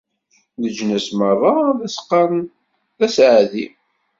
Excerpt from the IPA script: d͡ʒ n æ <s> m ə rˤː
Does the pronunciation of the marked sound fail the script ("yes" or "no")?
no